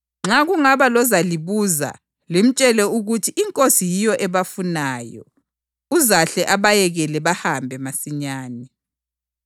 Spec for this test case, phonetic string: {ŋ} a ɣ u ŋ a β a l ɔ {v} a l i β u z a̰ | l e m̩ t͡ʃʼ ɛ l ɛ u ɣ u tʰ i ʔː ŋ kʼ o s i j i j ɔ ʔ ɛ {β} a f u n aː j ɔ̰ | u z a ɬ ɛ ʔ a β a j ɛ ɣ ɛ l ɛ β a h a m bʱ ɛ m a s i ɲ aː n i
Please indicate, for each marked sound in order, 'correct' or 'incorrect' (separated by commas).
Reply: incorrect, incorrect, correct